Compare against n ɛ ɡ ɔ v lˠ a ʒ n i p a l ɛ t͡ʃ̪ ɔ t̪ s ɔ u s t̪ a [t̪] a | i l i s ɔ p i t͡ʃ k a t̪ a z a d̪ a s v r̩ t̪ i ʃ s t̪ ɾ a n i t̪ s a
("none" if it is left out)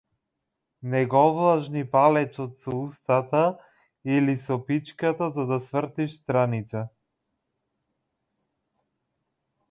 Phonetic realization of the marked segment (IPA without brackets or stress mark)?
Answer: t̪